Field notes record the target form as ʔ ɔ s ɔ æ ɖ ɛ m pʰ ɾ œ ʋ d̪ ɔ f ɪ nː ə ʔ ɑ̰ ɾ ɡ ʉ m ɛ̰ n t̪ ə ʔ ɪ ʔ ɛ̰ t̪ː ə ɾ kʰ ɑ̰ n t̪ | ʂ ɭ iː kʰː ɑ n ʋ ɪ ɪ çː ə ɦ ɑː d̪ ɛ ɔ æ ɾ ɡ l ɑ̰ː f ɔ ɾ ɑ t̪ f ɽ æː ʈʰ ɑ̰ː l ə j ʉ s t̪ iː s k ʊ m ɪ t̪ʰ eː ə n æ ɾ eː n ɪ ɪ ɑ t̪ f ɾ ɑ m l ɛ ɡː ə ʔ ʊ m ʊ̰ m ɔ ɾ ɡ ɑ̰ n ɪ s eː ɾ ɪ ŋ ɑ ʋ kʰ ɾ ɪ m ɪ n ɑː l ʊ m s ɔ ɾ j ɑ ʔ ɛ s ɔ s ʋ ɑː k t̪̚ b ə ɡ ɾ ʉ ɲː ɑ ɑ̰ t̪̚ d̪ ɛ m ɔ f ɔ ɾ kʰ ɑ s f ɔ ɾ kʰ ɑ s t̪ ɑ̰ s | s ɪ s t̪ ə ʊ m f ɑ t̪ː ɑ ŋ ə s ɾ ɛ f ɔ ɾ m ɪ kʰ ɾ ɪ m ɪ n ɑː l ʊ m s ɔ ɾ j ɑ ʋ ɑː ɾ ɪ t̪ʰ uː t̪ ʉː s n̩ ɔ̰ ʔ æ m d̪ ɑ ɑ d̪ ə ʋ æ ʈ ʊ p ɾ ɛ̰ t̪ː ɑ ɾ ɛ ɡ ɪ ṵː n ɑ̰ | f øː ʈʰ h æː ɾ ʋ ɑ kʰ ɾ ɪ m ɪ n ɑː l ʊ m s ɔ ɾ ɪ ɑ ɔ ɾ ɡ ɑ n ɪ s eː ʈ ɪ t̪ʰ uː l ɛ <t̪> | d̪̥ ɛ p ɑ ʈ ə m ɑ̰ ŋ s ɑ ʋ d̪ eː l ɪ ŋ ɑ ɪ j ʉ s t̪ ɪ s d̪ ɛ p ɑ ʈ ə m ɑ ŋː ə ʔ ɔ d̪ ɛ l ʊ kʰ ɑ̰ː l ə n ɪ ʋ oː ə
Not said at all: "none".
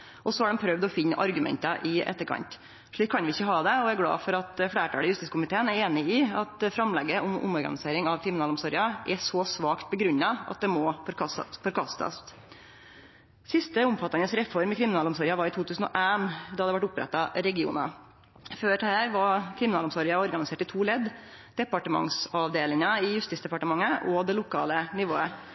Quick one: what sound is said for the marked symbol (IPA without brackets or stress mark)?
d̪